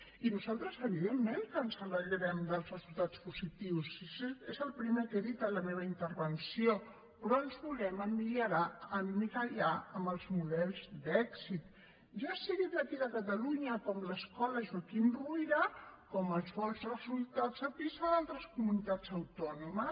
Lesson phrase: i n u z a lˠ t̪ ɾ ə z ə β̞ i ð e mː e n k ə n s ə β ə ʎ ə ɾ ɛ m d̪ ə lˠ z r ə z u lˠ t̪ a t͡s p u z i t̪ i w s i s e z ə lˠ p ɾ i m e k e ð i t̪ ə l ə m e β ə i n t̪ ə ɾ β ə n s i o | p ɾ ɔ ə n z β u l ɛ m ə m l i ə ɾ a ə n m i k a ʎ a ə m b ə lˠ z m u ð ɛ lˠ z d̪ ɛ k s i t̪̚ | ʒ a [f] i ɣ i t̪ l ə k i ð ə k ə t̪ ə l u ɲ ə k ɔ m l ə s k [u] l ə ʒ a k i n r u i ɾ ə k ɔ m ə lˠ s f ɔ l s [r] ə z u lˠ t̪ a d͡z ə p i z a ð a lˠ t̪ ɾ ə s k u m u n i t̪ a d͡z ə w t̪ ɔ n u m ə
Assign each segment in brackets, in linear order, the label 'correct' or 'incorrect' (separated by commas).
incorrect, incorrect, correct